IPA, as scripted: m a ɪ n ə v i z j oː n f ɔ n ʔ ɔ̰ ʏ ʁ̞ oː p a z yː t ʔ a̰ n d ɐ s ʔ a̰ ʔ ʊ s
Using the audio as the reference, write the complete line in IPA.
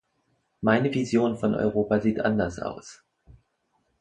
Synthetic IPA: m a ɪ n ə v i z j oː n f ɔ n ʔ ɔ̰ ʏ ʁ̞ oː p a z iː t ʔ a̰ n d ɐ s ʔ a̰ ʊ s